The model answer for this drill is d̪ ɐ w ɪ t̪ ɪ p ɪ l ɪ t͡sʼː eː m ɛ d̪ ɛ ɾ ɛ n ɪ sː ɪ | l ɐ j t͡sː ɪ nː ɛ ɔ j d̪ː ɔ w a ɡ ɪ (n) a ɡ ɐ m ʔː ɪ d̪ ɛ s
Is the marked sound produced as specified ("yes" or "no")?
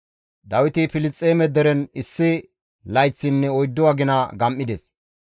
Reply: yes